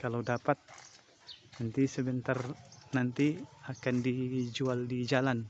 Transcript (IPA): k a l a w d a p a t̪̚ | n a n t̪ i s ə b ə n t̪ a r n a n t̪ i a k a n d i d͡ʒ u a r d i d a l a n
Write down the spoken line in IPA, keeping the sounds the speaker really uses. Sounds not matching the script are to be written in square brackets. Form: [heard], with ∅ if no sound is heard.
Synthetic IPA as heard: k a l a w d a p a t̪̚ | n a n t̪ i s ə b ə n t̪ a r n a n t̪ i a k a n d i d͡ʒ u a [l] d i [d͡ʒ] a l a n